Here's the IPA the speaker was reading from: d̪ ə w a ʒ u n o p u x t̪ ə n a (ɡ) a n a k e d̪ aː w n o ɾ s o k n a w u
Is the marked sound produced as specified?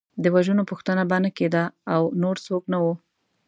no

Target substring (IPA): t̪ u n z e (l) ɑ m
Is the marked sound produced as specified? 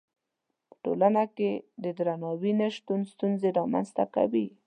no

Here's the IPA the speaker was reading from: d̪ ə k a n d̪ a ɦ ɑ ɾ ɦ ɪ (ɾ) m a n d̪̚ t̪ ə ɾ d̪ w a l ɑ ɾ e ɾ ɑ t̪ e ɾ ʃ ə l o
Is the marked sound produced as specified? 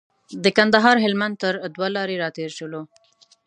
no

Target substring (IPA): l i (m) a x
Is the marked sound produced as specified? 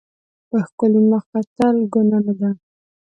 yes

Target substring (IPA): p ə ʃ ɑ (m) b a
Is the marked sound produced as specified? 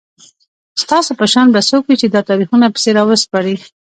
no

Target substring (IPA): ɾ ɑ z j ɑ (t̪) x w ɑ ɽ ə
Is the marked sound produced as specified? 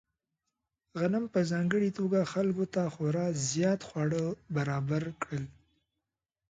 yes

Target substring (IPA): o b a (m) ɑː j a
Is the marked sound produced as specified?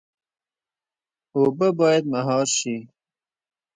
no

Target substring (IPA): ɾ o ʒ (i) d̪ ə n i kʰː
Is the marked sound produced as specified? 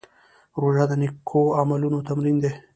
no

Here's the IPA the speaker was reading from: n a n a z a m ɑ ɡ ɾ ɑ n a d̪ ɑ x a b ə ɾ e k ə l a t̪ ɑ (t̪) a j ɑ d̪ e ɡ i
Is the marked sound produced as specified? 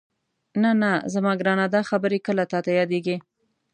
yes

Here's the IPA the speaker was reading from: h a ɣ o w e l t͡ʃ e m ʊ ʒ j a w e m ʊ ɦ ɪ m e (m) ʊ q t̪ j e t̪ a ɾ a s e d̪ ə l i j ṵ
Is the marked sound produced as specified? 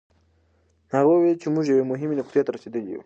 no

